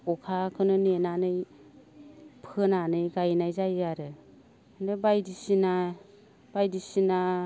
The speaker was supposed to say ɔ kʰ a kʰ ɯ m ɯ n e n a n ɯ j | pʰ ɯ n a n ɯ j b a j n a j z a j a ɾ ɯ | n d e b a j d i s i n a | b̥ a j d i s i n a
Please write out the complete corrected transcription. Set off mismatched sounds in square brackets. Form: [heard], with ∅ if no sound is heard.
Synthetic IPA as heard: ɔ kʰ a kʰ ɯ [n] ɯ n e n a n ɯ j | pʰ ɯ n a n ɯ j [ɡ] a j n a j z a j a ɾ ɯ | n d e b a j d i s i n a | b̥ a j d i s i n a